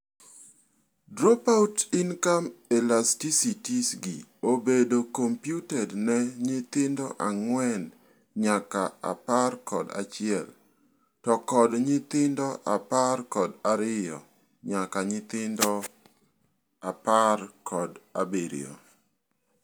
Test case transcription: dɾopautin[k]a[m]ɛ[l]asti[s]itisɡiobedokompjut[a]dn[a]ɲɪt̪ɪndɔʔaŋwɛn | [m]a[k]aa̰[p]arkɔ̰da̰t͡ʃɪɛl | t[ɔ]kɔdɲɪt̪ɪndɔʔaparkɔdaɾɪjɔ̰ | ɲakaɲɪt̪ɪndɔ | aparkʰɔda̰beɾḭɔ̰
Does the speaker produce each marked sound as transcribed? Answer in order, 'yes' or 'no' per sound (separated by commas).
yes, yes, yes, yes, no, no, no, yes, yes, yes